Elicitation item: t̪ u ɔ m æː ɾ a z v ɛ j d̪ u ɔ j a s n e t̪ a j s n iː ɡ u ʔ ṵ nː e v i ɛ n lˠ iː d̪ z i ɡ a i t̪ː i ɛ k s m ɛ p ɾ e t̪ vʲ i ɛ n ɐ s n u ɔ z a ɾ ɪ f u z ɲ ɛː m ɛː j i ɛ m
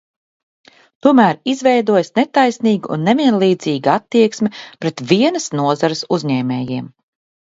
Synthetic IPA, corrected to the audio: t̪ u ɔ m æː ɾ i z v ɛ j d̪ u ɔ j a s n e t̪ a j s n iː ɡ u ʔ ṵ nː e v i ɛ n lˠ iː d̪ z iː ɡ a a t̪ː i ɛ k s m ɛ p ɾ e t̪ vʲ i ɛ n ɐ s n u ɔ z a ɾ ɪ s u z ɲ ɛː m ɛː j i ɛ m